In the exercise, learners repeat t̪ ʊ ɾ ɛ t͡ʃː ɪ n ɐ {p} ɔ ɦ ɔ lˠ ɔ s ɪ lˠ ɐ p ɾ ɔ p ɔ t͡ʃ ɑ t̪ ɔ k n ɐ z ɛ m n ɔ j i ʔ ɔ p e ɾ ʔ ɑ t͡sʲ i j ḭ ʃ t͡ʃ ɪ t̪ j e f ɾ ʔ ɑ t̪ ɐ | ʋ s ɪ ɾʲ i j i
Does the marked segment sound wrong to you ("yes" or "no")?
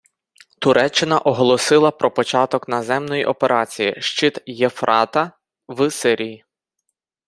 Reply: yes